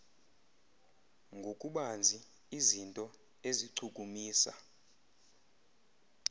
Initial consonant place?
velar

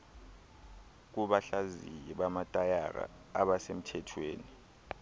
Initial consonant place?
velar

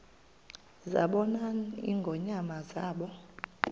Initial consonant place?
alveolar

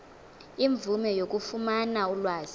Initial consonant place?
labial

